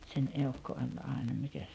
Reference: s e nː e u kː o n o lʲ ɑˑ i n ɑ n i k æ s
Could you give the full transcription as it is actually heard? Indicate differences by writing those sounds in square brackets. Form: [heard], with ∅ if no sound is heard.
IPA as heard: s e [n] e u kː o [∅] o lʲ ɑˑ [e] n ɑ [m] i k æ s

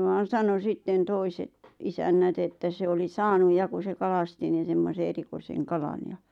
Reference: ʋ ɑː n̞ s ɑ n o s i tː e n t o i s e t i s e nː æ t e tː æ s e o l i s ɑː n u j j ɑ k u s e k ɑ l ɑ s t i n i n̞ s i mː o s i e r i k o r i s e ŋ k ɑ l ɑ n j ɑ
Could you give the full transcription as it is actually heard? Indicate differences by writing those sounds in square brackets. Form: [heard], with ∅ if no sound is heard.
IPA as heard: ʋ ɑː n̞ s ɑ n o s i tː e n t o i s e t i s [æ] nː æ t e tː æ s e o l i s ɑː n u j j ɑ k u s e k ɑ l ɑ s t i n i n̞ s [e] mː o s [e] e r i k o [∅] i s e ŋ k ɑ l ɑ n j ɑ

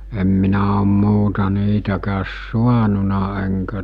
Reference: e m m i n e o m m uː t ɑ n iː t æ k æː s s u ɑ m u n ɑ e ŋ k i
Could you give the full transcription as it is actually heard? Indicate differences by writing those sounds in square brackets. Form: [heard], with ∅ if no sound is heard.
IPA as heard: e m m i n [æ] o m m uː t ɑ n iː t æ k æː s s u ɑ [n] u n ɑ e ŋ k [æ]

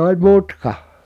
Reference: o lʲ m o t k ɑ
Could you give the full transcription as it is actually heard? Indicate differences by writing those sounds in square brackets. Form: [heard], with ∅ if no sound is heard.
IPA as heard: o lʲ m [u] t k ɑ

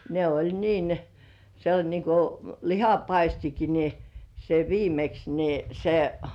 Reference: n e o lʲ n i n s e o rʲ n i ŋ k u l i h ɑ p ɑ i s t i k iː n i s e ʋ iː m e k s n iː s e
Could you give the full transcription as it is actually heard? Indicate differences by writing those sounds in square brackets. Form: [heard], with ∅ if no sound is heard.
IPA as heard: n e o lʲ n [iː] n s e o [lʲ] n i ŋ k u l i h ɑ p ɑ i s t i k [i] n i s e ʋ iː m e k s n [i] s e

